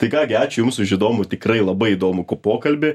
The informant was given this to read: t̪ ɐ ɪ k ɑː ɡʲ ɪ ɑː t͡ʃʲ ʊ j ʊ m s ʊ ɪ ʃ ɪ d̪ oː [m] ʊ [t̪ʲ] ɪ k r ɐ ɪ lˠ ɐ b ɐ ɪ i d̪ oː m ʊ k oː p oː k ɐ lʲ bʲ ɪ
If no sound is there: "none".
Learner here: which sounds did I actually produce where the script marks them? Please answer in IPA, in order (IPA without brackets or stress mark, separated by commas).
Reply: m, t̪ʲ